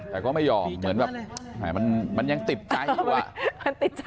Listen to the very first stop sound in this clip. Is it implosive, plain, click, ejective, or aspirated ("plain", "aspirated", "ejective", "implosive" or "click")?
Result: plain